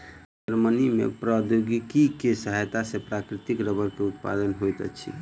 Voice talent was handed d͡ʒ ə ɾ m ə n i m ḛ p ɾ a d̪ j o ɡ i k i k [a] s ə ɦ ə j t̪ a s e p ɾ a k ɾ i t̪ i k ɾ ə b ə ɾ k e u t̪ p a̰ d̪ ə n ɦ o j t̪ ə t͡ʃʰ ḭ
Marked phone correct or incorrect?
incorrect